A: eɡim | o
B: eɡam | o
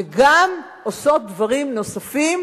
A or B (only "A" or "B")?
B